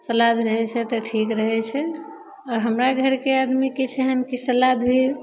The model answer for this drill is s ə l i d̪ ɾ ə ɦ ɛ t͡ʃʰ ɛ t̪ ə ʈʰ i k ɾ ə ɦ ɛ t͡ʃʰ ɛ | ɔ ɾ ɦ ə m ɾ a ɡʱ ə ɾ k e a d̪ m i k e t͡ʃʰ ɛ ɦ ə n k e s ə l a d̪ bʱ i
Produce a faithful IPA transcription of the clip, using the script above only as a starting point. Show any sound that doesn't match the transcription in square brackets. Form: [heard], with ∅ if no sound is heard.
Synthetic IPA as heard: s ə l [a] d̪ ɾ ə ɦ ɛ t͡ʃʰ ɛ t̪ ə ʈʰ i k ɾ ə ɦ ɛ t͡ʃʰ ɛ | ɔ ɾ ɦ ə m ɾ a ɡʱ ə ɾ k e a d̪ m i k e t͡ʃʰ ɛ ɦ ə n k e s ə l a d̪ bʱ i